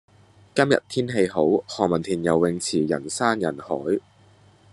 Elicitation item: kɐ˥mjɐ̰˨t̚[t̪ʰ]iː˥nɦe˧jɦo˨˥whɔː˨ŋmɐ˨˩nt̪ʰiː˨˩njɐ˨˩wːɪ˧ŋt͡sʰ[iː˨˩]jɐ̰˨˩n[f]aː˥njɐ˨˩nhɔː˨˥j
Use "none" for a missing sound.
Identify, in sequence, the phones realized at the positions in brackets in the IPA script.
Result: t̪ʰ, iː˨˩, s

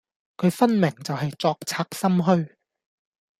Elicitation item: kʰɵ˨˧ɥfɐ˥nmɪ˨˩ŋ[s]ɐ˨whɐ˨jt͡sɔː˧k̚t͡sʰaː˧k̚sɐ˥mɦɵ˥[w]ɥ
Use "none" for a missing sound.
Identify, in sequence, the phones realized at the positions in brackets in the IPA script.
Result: t͡s, none

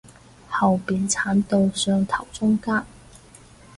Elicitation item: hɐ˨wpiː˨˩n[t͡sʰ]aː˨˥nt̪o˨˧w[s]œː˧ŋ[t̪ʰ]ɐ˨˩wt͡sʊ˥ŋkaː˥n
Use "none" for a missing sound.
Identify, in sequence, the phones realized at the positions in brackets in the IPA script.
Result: t͡sʰ, s, t̪ʰ

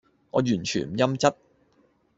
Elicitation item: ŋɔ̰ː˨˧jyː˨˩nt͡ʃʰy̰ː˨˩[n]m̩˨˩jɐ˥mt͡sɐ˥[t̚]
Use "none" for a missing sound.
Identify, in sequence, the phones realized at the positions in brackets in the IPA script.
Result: n, t̚

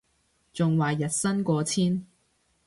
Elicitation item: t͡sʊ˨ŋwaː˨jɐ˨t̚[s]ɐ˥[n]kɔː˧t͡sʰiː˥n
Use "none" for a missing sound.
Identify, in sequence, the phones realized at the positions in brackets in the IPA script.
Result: s, n

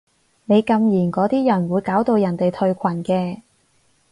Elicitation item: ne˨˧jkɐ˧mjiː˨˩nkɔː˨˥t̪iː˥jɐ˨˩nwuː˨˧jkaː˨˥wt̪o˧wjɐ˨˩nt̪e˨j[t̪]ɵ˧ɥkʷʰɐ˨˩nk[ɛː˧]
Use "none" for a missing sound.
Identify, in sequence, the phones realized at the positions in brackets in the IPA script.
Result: t̪ʰ, ɛː˧

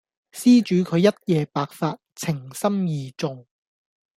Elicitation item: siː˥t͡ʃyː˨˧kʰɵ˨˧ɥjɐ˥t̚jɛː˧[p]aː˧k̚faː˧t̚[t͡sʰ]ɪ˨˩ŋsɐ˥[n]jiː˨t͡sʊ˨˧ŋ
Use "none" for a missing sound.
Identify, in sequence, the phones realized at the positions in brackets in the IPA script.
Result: p, t͡sʰ, m

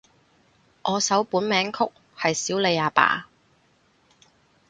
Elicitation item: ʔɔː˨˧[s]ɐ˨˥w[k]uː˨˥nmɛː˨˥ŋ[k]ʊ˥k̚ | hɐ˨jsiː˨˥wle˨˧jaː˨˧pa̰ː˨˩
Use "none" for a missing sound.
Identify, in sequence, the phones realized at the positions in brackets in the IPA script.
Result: s, p, kʰ

